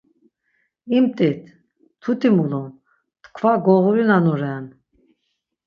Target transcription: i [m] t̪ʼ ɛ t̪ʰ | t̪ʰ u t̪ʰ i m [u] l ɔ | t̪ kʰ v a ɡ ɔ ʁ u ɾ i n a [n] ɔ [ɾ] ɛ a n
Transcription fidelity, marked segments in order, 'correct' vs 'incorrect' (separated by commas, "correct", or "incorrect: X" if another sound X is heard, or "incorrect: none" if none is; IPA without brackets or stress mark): correct, correct, correct, correct